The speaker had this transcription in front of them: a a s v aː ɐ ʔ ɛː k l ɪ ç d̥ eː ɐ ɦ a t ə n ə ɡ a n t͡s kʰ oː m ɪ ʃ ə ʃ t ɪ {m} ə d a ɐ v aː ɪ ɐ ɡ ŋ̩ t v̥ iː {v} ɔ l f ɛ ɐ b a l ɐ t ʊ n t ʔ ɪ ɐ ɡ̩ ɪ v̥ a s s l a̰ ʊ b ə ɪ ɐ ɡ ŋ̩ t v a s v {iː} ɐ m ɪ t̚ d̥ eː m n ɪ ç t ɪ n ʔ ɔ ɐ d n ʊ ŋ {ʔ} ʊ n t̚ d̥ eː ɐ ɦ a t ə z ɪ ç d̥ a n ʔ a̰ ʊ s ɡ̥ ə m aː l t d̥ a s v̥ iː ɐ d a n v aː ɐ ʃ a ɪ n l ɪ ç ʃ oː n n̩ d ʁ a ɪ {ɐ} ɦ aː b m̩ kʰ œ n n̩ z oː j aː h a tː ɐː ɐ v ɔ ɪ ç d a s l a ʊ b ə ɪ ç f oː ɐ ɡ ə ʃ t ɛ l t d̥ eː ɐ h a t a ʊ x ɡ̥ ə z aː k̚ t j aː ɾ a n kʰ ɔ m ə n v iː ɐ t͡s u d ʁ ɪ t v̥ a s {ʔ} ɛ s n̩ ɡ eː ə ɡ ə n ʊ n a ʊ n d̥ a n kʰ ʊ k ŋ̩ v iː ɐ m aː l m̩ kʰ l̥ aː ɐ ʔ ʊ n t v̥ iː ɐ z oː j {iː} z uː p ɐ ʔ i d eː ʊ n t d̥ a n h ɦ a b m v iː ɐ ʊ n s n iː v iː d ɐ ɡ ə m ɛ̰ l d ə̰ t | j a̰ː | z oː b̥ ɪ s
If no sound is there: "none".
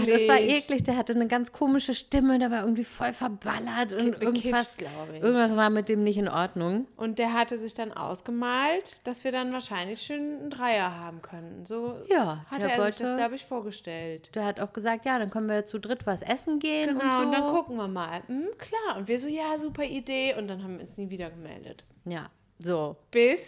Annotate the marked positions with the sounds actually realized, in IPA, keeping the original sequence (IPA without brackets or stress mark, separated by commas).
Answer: m, f, aː, ʔ, ɐ, ʔ, aː